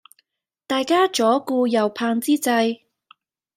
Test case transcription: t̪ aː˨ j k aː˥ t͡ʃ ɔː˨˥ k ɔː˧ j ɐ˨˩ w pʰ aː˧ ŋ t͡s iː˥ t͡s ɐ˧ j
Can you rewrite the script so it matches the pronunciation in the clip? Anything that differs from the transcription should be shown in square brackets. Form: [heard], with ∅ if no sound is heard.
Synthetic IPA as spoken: t̪ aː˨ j k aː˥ t͡ʃ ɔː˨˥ k [uː˧] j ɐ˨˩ w pʰ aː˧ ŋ t͡s iː˥ t͡s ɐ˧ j